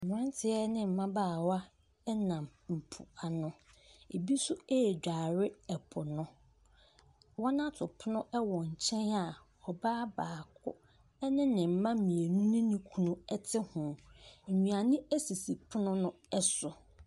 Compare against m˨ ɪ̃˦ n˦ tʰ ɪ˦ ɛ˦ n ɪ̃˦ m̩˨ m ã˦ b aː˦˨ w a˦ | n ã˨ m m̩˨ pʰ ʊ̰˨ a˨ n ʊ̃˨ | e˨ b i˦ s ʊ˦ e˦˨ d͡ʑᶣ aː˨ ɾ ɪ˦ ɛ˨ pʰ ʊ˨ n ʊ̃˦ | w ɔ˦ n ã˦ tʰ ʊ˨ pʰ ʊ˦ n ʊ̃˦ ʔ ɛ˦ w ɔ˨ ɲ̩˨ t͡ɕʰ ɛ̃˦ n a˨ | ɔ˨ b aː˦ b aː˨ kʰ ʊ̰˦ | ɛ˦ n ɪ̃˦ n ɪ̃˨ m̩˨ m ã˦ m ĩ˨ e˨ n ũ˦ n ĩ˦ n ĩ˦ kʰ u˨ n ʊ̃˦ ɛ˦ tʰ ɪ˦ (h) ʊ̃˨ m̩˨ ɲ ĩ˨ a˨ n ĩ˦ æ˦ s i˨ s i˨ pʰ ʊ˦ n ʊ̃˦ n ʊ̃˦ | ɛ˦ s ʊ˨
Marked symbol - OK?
yes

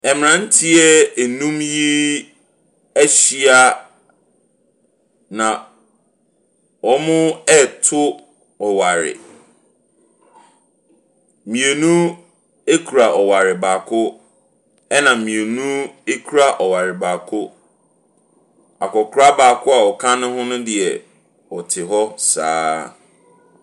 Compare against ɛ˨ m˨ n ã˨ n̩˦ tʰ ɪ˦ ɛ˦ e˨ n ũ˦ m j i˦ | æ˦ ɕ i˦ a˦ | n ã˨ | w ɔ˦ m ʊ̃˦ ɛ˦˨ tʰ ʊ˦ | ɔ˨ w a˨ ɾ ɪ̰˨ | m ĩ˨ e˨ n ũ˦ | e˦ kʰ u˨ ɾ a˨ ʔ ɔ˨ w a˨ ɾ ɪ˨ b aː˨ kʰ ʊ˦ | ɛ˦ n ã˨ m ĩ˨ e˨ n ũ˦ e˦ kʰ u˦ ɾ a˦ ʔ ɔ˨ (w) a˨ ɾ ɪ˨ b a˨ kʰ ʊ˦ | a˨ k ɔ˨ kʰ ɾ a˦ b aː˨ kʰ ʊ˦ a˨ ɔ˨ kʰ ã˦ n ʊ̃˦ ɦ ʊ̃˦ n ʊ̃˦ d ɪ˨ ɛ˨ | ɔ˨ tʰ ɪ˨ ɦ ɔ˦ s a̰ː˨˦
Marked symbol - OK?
yes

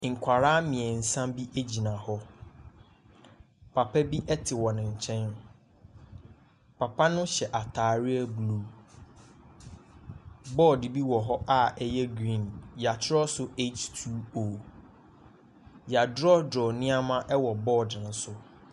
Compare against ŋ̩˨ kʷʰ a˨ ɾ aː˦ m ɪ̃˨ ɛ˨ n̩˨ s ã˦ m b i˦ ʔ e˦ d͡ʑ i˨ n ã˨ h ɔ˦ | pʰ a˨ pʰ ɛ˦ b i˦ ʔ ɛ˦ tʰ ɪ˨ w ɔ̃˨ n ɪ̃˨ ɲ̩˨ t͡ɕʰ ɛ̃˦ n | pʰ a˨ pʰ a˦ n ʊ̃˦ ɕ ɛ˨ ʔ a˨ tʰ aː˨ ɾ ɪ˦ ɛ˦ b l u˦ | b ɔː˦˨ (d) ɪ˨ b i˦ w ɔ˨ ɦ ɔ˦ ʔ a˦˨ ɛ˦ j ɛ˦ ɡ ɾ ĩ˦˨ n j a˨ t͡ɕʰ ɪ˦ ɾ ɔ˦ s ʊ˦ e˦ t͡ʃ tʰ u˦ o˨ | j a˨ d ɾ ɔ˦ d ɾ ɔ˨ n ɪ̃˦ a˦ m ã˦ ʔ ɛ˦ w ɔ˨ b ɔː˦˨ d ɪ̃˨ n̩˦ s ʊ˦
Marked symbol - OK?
yes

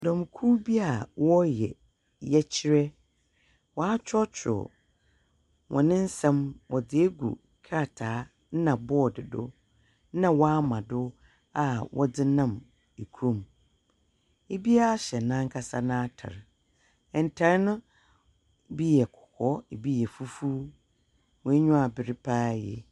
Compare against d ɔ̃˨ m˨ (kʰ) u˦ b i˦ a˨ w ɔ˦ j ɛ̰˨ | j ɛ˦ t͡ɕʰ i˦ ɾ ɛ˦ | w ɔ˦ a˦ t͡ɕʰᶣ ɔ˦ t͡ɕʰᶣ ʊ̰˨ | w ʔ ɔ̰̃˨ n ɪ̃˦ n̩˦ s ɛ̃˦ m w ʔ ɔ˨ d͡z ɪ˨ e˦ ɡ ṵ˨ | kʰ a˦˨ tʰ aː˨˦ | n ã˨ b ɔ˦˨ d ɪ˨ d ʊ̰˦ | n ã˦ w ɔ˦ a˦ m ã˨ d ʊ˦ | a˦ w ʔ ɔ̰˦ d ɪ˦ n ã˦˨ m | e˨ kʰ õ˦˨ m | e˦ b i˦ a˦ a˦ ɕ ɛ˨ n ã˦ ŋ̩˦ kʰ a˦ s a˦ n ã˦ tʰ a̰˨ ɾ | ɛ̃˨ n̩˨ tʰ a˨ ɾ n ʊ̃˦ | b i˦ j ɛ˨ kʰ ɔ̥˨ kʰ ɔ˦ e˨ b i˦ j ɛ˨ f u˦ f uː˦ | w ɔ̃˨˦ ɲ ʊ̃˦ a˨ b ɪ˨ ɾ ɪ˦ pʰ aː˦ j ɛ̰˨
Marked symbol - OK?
yes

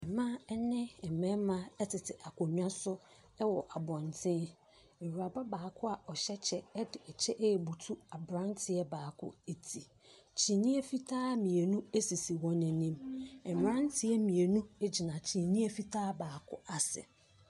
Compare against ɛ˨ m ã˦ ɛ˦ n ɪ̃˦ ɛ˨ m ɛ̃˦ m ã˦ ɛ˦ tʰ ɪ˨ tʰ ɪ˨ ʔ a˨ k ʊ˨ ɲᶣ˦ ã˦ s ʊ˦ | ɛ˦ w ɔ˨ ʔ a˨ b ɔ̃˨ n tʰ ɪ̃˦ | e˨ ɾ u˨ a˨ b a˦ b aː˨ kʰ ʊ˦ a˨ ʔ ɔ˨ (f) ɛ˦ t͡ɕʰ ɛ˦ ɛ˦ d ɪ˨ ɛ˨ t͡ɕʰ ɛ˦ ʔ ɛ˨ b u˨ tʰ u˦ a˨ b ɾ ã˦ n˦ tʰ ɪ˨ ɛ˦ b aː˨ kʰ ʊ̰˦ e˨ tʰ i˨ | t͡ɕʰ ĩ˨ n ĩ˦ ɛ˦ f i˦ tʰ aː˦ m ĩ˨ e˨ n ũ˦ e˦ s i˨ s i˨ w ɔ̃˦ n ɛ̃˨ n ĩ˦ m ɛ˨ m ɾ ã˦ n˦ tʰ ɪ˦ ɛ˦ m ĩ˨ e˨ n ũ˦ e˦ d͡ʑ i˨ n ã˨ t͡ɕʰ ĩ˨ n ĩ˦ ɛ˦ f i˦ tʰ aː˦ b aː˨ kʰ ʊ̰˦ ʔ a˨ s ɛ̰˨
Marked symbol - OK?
no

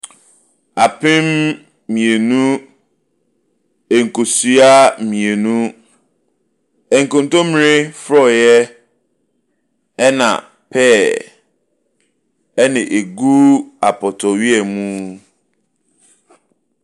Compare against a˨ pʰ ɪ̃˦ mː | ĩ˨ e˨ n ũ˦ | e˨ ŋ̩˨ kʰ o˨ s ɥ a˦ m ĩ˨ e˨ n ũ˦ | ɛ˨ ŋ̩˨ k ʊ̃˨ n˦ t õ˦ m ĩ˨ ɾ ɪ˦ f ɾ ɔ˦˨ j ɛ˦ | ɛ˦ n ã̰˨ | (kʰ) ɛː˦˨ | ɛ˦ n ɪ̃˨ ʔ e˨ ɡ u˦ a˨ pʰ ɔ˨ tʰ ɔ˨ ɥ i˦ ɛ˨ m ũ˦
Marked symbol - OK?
no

